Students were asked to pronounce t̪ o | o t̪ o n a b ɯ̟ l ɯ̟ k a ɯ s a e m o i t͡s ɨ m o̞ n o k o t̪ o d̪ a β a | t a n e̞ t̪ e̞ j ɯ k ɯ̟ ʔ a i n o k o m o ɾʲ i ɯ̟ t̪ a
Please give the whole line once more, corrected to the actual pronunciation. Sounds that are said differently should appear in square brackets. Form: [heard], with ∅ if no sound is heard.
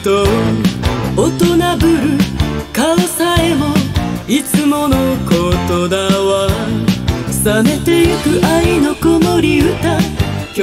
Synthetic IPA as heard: t̪ o | o t̪ o n a b ɯ̟ [ɾ] ɯ̟ k a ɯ s a e m o i t͡s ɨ m o̞ n o k o t̪ o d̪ a β a | [s] a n e̞ t̪ e̞ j ɯ k ɯ̟ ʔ a i n o k o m o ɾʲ i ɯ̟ t̪ a